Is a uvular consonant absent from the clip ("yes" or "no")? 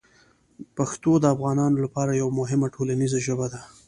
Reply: yes